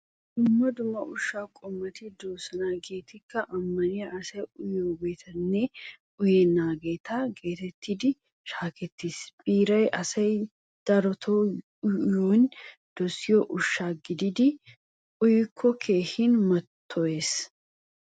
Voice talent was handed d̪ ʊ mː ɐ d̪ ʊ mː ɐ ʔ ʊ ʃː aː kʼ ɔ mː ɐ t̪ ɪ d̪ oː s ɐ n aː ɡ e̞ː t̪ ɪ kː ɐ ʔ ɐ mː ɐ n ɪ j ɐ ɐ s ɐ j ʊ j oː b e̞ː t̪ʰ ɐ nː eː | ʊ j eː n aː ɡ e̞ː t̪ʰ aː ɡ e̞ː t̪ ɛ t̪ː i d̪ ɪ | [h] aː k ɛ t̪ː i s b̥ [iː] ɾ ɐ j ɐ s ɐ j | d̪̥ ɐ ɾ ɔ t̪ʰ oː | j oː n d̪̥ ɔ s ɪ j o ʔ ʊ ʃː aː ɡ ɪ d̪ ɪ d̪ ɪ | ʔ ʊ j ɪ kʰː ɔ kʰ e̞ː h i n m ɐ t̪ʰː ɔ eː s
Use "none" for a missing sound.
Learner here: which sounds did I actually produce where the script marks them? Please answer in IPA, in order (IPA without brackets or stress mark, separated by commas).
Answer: ʃ, iː